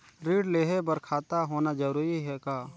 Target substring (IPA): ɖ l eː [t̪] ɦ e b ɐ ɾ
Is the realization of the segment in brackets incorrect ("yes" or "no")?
yes